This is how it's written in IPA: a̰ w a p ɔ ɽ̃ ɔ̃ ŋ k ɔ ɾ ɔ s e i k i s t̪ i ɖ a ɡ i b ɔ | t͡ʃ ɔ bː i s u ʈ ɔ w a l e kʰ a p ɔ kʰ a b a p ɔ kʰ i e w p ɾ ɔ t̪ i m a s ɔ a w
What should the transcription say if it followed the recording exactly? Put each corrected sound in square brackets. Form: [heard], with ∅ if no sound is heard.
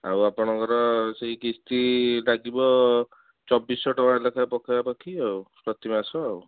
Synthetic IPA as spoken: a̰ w a p ɔ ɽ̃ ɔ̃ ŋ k ɔ ɾ ɔ s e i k i s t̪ i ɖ a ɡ i b ɔ | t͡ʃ ɔ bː i s [ɔ] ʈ ɔ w a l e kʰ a p ɔ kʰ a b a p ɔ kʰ i [a] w p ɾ ɔ t̪ i m a s ɔ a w